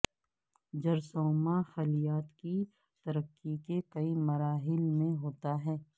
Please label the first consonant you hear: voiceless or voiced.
voiced